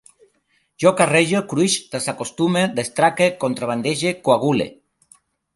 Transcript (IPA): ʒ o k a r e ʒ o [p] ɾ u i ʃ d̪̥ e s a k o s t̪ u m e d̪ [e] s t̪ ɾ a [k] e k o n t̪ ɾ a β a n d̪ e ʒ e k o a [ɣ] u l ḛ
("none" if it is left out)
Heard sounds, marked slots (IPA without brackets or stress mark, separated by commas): k, e, k, ɣ